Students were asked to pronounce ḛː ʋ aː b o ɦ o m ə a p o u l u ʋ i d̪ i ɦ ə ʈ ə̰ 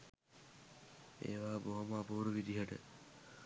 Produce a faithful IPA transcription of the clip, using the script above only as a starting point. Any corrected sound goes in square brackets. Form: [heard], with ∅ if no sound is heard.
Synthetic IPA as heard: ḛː ʋ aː b o ɦ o m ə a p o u [ɾ] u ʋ i d̪ i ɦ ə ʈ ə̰